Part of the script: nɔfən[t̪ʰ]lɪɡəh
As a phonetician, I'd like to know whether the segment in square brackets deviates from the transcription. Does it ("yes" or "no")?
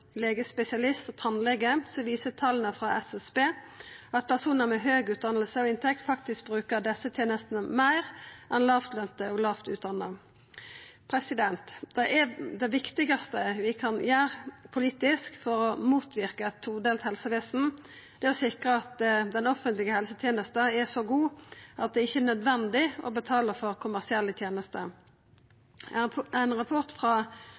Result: yes